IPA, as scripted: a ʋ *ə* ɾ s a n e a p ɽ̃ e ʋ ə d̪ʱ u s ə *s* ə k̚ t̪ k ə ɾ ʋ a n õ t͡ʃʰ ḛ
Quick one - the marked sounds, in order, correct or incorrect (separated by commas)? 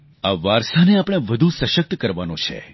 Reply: incorrect, incorrect